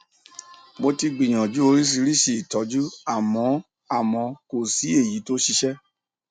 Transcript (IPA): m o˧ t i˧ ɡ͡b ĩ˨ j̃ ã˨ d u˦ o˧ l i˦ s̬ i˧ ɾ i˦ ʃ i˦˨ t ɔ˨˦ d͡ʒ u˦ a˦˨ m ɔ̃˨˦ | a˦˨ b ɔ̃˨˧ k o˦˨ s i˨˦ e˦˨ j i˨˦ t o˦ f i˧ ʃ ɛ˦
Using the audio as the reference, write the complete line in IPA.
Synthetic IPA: m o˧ t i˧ ɡ͡b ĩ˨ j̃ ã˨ d͡ʒ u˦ o˧ ɾ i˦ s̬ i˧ ɾ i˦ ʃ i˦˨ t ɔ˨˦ d͡ʒ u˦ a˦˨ m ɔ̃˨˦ | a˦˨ m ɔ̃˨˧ k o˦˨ s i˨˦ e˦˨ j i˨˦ t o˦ ʃ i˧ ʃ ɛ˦